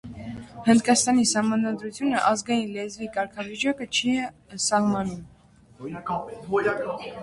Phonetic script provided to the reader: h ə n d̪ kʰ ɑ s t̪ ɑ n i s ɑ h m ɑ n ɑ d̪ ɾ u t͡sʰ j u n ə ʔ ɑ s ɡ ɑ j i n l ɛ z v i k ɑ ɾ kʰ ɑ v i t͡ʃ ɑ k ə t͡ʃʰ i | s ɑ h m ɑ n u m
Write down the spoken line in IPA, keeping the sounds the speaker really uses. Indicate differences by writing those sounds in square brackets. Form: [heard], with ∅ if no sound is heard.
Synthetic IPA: h ə n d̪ [k] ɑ s t̪ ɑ n i s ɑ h m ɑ n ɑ d̪ ɾ u t͡sʰ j u n ə ʔ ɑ [z] ɡ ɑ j i n l ɛ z v i k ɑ ɾ kʰ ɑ v i t͡ʃ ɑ k ə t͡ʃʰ i | s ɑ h m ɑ n u m

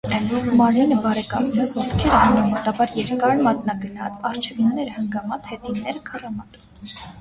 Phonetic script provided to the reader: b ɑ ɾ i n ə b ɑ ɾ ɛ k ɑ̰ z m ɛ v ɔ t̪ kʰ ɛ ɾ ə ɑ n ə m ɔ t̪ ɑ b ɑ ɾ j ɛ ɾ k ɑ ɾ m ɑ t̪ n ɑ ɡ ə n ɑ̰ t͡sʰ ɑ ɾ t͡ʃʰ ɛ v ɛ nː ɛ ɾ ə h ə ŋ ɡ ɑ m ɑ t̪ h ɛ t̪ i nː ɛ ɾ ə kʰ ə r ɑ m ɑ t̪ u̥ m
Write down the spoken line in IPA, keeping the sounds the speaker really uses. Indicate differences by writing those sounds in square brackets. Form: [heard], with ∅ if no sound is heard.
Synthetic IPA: [m] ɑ ɾ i n ə b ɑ ɾ ɛ k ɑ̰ z m ɛ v ɔ t̪ kʰ ɛ ɾ ə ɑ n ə m ɔ t̪ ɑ b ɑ ɾ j ɛ ɾ k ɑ ɾ m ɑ t̪ n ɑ ɡ ə n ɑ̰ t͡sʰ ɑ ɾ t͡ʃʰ ɛ v [i] nː ɛ ɾ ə h ə ŋ ɡ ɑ m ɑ t̪ h ɛ t̪ i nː ɛ ɾ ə kʰ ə r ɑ m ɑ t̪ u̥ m

